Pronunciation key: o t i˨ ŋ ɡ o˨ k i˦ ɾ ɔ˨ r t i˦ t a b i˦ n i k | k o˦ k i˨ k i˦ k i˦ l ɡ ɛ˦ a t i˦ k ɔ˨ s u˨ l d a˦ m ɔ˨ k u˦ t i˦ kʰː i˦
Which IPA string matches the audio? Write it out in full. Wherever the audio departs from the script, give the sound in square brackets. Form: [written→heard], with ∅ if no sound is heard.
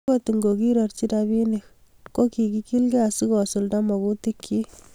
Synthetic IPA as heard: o t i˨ ŋ ɡ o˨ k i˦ ɾ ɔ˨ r [t→t͡ʃ] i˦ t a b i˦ n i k | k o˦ k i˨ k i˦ k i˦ l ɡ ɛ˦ a [t→s] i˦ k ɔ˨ s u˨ l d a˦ m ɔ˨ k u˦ t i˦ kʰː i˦